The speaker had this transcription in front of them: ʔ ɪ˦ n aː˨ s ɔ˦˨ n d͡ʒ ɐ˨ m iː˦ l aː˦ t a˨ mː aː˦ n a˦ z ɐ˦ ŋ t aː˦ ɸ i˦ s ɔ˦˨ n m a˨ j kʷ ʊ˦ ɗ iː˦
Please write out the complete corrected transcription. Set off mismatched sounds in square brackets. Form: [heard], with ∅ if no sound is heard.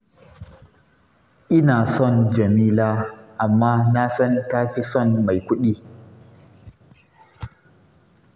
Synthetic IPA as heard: ʔ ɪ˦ n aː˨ s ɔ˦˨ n d͡ʒ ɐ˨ m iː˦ l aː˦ [ʔ] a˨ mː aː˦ n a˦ [s] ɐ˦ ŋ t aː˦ ɸ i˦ s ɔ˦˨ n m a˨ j kʷ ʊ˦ ɗ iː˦